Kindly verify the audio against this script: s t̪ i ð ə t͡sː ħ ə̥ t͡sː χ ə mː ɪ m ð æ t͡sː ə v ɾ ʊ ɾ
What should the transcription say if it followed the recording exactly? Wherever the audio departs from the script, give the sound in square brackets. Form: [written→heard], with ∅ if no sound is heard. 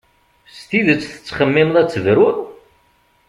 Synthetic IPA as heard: s t̪ i ð ə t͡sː [ħ→θ] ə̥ t͡sː χ ə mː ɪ m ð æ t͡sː ə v ɾ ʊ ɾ